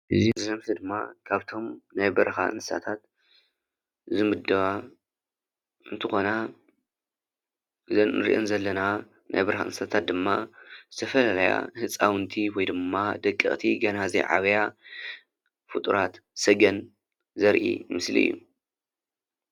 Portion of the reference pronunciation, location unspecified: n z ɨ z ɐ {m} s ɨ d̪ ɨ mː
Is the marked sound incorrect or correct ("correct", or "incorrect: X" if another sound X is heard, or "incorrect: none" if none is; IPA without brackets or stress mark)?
correct